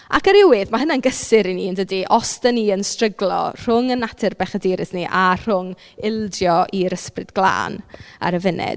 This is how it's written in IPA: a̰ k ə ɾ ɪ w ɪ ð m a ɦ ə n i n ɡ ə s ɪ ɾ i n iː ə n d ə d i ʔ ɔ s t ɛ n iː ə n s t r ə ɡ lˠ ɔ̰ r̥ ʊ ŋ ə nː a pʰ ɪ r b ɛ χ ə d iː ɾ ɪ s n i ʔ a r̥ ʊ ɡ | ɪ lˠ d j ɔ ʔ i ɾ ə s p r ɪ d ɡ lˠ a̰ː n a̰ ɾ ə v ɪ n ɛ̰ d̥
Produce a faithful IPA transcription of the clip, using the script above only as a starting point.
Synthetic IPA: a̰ k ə ɾ ɪ w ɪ ð m a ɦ ə n a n ɡ ə s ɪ ɾ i n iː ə n d ə d i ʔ ɔ s t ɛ n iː ə n s t r ə ɡ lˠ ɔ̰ r̥ ʊ ŋ ə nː a tʰ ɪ r b ɛ χ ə d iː ɾ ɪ s n i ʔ a r̥ ʊ ŋ | ɪ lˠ d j ɔ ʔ i ɾ ə s p r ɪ d ɡ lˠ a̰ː n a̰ ɾ ə v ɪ n ɛ̰ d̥